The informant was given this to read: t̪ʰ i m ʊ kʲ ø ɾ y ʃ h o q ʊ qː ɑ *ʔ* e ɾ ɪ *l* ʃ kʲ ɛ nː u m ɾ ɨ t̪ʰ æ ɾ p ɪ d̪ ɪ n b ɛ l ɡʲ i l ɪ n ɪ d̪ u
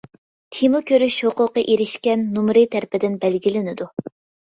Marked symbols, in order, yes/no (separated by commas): yes, no